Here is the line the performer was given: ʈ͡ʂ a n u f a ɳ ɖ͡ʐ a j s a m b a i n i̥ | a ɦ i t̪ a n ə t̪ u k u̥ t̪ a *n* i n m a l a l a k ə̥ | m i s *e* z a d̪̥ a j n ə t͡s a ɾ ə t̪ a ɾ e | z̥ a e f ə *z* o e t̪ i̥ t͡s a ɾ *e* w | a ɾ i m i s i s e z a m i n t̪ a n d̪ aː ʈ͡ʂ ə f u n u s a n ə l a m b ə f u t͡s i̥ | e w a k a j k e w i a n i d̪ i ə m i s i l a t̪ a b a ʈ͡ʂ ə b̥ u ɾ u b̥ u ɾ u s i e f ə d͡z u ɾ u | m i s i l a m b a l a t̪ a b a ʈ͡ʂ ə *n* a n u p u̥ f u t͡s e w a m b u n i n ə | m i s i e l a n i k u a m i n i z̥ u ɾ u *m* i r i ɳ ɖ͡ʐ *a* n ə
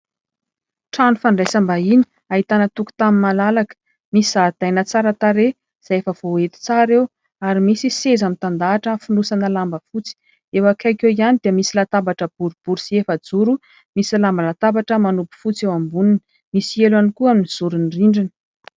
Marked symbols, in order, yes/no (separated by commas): no, no, no, yes, no, no, no